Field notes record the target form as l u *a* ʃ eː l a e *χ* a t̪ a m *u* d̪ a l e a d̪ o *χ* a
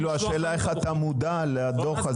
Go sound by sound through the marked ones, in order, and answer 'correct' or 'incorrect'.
correct, correct, correct, correct

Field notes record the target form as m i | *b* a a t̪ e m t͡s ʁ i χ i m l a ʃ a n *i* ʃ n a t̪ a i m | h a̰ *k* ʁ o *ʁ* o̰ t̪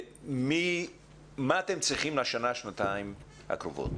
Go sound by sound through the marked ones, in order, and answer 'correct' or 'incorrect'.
incorrect: m, incorrect: a, correct, incorrect: v

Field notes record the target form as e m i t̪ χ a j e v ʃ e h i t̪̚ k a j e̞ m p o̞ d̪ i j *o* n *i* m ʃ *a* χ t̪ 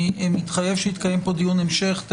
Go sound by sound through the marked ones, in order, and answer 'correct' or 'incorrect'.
incorrect: u, incorrect: e, incorrect: e

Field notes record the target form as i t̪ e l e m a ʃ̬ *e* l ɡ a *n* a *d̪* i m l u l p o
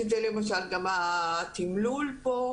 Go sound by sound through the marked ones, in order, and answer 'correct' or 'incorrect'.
incorrect: a, incorrect: m, incorrect: t̪

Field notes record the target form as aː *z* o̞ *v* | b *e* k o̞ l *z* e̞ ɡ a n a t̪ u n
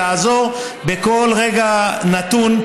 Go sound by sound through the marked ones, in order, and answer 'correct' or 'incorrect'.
correct, incorrect: ʁ, correct, incorrect: ʁ

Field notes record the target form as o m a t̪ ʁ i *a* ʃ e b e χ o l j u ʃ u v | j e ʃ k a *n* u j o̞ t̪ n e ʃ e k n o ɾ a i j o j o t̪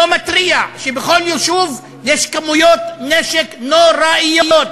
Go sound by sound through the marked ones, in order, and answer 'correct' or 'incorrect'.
correct, incorrect: m

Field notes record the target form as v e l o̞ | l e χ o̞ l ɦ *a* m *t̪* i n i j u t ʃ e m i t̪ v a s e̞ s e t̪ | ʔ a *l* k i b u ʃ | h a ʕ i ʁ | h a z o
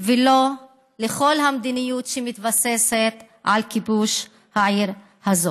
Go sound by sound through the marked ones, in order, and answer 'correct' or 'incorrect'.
correct, incorrect: d̪, correct

